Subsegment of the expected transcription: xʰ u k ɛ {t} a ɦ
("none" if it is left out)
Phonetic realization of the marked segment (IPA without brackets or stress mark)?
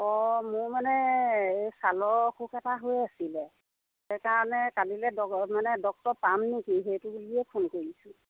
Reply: t